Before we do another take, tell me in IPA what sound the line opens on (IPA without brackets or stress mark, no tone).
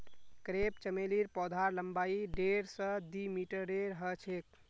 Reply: k